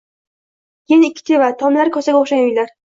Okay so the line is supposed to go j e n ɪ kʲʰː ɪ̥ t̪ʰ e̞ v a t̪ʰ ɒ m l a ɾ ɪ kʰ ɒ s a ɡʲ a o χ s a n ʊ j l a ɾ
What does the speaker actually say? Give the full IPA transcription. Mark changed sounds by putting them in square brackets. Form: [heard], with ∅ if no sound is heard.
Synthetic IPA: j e n ɪ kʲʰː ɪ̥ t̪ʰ e̞ v a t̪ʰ ɒ m l a ɾ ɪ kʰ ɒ s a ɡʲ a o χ [ʃ] a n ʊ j l a ɾ